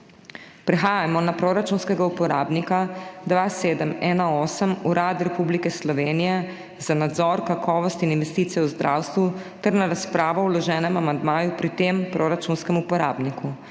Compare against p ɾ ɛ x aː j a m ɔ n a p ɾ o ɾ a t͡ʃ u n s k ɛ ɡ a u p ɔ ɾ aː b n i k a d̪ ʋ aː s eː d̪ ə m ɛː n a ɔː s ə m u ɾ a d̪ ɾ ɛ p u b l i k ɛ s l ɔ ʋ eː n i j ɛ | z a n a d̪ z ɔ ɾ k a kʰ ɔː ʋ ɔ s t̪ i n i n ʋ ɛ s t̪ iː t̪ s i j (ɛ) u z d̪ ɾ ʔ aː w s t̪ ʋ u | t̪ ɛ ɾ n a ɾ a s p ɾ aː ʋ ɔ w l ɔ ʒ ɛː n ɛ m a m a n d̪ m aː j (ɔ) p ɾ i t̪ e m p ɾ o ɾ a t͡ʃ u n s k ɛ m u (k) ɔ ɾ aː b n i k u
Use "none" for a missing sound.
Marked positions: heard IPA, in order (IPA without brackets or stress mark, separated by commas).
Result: ɛ, u, p